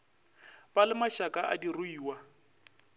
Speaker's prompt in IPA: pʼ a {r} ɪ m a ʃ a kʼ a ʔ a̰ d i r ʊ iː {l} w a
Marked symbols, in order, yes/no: no, no

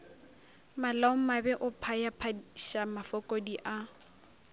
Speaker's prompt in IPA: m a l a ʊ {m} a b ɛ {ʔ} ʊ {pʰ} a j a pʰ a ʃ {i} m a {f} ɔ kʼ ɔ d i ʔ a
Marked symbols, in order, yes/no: yes, yes, yes, no, yes

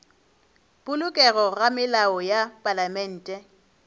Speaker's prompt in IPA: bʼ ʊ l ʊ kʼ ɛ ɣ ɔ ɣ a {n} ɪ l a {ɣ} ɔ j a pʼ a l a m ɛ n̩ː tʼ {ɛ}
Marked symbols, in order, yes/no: no, no, yes

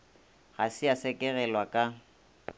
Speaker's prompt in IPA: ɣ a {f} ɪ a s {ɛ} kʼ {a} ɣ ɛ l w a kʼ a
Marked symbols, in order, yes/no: no, yes, no

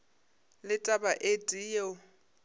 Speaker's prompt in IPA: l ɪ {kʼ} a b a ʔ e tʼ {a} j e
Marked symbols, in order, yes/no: no, no

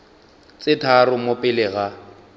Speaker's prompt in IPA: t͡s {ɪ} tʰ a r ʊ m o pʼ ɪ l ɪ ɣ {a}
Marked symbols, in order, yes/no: yes, yes

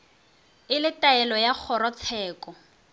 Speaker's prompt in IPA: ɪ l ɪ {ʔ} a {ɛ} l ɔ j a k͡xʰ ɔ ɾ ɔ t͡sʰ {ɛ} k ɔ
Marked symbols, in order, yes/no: no, yes, no

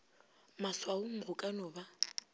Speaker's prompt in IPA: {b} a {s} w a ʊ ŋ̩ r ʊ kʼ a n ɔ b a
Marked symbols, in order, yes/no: no, yes

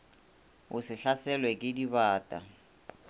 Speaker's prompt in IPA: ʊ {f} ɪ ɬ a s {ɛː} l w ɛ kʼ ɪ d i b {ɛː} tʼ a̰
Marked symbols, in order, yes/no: no, no, no

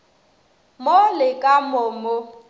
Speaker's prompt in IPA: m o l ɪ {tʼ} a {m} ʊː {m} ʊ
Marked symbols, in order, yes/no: no, yes, yes

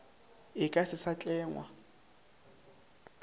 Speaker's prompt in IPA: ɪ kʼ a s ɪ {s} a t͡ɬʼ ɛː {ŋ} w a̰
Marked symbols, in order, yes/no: yes, yes

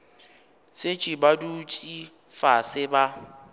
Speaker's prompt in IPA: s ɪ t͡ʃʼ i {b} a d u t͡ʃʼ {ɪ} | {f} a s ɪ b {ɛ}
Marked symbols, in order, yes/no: yes, no, yes, no

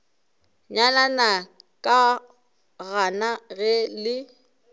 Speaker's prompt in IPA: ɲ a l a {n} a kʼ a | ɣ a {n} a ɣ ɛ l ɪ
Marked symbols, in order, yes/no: yes, yes

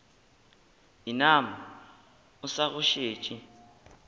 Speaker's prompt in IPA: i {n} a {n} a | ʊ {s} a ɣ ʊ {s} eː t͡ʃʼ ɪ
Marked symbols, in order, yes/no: yes, no, yes, no

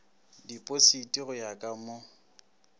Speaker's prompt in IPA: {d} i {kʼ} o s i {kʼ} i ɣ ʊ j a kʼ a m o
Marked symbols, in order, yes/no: yes, no, no

